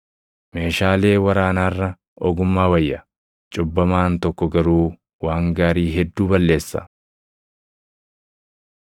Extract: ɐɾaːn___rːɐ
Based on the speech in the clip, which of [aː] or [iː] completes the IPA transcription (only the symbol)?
aː